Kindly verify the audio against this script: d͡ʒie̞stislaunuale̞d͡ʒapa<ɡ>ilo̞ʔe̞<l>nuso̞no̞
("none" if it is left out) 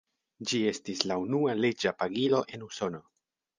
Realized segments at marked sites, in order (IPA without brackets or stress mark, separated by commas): ɡ, none